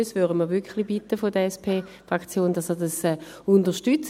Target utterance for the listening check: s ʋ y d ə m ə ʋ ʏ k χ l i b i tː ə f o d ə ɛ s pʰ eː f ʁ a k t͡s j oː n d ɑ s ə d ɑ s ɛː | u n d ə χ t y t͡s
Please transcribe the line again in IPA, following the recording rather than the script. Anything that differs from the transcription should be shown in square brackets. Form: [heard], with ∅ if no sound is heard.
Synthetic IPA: s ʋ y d ə m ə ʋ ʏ k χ l i b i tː ə f o d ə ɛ s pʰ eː f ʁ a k t͡s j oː n d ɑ s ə d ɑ s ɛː | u n d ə [ʃ] t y t͡s